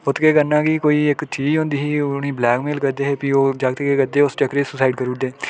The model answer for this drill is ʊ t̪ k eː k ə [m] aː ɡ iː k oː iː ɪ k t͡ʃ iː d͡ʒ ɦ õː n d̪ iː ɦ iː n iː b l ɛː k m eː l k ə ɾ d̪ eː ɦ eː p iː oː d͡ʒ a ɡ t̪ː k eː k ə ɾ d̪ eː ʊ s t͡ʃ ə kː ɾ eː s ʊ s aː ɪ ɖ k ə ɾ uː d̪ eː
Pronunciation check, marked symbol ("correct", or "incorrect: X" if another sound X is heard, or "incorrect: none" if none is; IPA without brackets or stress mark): incorrect: n